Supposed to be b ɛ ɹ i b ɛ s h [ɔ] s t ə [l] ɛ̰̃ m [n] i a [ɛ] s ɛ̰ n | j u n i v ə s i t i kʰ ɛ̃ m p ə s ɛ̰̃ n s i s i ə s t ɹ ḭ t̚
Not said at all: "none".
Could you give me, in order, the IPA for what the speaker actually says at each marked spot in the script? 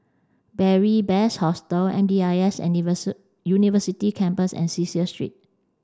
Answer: ɔ, l, d, ɛ

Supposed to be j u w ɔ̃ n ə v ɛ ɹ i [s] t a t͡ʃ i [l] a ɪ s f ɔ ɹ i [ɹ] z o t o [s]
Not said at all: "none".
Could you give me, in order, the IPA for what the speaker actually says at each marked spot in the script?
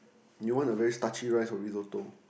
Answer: s, ɹ, none, none

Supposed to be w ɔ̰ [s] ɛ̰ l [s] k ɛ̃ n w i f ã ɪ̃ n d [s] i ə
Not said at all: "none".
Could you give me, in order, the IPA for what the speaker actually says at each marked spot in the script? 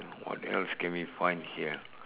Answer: t, s, h

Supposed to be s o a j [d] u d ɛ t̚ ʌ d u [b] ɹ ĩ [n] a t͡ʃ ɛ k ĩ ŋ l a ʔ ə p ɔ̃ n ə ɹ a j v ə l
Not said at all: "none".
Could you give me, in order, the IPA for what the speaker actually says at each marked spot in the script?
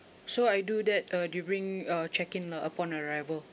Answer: d, b, ŋ

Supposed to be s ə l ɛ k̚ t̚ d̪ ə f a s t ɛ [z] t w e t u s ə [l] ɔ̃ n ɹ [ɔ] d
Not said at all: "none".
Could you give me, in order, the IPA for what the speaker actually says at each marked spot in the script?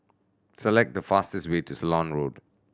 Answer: s, l, o

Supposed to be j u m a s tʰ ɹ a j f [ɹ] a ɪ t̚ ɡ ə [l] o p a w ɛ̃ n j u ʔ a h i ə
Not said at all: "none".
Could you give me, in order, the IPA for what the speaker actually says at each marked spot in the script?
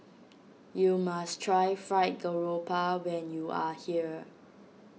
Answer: ɹ, ɹ

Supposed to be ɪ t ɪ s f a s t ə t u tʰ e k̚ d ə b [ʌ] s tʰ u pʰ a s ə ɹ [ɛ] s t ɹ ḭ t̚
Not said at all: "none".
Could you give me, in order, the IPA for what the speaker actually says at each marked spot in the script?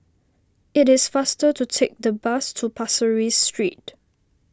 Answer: a, i

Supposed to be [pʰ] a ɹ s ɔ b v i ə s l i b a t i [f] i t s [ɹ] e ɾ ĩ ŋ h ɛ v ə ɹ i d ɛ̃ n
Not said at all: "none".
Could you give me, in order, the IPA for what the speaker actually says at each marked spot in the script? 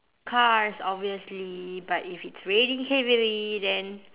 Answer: kʰ, f, ɹ

